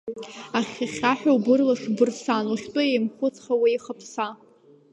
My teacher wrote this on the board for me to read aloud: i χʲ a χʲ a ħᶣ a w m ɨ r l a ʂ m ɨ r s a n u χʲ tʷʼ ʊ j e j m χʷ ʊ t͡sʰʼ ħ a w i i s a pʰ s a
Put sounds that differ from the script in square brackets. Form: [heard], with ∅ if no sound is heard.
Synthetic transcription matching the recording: [a] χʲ a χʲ a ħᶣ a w [b] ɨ r l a ʂ [b] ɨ r s a n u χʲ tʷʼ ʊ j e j m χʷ ʊ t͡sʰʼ [χ] a w i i [χ] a pʰ s a